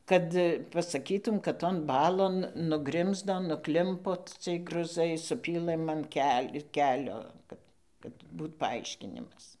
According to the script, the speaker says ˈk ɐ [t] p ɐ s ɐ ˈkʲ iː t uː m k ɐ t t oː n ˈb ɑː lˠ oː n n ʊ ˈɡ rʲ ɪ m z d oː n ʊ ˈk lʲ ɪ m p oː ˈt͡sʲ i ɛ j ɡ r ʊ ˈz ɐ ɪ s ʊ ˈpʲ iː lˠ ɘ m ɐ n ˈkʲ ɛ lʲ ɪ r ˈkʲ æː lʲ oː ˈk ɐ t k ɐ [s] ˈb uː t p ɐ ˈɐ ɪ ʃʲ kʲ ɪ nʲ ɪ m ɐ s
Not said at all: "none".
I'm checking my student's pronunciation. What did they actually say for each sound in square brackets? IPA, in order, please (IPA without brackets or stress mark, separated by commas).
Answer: t, t